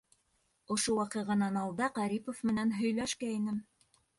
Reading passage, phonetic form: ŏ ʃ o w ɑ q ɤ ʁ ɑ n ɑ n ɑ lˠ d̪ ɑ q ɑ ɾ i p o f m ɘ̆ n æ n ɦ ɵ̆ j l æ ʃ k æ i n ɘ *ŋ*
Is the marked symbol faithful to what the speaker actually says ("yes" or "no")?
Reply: no